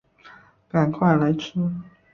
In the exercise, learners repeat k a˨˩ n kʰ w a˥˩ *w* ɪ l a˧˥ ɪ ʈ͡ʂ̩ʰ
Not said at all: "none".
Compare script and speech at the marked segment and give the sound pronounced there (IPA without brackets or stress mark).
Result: none